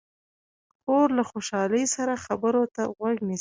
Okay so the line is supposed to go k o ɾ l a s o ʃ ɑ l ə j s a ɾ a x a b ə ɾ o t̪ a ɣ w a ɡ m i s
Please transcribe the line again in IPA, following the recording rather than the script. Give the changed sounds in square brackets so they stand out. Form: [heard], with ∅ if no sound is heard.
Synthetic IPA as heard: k o ɾ l a [x] o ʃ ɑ l ə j s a ɾ a x a b ə ɾ o t̪ a ɣ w a ɡ [n] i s